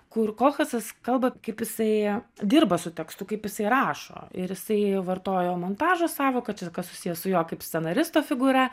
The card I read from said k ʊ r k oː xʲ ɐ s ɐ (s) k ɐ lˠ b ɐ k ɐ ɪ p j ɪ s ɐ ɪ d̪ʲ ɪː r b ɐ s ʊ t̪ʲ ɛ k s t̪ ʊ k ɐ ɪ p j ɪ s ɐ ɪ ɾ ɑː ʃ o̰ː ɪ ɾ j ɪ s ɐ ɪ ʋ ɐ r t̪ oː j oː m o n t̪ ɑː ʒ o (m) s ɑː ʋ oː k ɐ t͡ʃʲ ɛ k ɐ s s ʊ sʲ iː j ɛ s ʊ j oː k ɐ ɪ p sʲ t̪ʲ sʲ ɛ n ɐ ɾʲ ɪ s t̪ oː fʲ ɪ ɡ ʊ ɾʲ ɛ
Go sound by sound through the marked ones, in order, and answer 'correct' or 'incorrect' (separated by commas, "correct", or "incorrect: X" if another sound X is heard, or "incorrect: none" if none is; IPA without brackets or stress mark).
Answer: correct, incorrect: none